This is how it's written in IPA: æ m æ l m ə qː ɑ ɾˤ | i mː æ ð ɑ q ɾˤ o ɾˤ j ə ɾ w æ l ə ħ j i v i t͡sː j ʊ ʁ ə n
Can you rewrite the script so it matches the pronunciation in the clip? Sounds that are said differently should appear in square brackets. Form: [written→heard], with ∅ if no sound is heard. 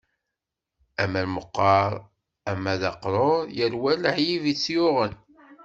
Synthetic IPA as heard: æ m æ l m ə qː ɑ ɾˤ | [i→æ] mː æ ð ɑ q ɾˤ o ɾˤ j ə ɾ w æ l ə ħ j i v i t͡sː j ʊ ʁ ə n